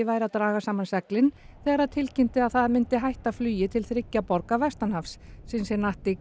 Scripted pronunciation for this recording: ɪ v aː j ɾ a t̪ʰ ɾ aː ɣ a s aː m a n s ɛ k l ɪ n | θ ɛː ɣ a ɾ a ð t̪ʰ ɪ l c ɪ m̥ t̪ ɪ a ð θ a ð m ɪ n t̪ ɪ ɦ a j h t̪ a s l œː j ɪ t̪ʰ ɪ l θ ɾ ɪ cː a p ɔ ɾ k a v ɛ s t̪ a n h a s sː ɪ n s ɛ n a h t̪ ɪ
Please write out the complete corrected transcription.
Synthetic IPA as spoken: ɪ v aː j ɾ a t̪ ɾ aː ɣ a s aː m a n s ɛ k l ɪ n | θ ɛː ɣ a ɾ a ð t̪ʰ ɪ l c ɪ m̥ t̪ ɪ a ð θ a ð m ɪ n t̪ ɪ ɦ a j h t̪ a f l yː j ɪ t̪ʰ ɪ l θ ɾ ɪ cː a p ɔ ɾ k a v ɛ s t̪ a n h a f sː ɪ n s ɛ n a h t̪ ɪ